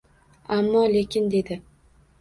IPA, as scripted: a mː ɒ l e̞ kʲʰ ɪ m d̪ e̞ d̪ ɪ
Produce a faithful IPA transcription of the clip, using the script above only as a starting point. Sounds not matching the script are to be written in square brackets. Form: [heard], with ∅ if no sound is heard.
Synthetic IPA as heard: a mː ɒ l e̞ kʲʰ ɪ [n] d̪ e̞ d̪ ɪ